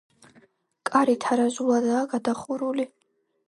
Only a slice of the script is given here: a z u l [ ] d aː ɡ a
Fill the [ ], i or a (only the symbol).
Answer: a